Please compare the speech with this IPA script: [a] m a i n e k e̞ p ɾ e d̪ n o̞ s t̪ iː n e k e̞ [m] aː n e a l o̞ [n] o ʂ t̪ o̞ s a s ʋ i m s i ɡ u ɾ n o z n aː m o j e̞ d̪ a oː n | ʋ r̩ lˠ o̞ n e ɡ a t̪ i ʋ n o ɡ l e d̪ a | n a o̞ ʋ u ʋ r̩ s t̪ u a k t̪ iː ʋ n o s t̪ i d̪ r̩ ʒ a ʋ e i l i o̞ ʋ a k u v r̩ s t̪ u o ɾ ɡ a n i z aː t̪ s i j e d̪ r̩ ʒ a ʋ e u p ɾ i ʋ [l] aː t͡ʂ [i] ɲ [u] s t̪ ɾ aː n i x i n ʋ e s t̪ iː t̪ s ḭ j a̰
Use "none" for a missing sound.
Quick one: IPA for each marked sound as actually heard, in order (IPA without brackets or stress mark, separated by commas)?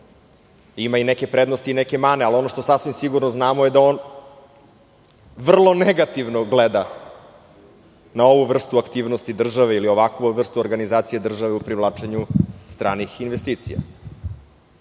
i, m, n, l, e, u